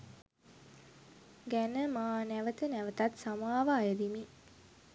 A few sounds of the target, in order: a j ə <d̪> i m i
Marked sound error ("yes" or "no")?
no